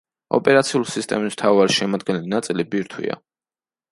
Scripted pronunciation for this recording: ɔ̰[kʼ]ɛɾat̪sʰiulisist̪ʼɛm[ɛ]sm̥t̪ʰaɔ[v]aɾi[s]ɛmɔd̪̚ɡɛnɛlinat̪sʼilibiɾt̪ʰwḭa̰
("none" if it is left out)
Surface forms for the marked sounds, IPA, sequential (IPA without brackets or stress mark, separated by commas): pʼ, i, v, ʃ